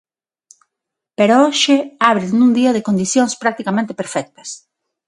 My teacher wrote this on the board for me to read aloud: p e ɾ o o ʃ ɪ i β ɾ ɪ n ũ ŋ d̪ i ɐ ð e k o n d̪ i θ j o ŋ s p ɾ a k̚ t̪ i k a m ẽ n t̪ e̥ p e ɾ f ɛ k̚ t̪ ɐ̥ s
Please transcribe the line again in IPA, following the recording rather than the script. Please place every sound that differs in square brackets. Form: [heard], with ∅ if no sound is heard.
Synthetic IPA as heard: p e ɾ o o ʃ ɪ [a] β ɾ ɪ n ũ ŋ d̪ i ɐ ð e k o n d̪ i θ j o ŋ s p ɾ a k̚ t̪ i k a m ẽ n t̪ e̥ p e ɾ f ɛ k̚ t̪ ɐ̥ s